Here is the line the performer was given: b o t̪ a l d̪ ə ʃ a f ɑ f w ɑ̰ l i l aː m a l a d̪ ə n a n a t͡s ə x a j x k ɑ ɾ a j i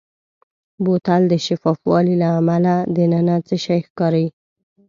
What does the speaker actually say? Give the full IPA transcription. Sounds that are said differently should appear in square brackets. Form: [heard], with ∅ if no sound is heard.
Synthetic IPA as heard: b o t̪ a l d̪ ə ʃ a f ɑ f w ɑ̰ l i l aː m a l a d̪ ə n a n a t͡s ə [ʃ] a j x k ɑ ɾ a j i